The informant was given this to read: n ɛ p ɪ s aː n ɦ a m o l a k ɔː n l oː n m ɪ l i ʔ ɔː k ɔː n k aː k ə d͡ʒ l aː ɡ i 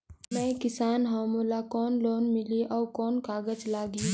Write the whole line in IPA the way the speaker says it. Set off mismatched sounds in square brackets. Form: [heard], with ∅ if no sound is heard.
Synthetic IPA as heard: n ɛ [k] ɪ s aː n ɦ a m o l a k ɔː n l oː n m ɪ l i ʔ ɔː k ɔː n k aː [ɡ] ə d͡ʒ l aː ɡ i